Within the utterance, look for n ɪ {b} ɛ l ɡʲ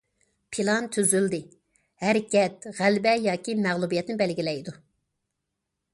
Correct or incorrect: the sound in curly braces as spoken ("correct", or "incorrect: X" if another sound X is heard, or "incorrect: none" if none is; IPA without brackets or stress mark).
correct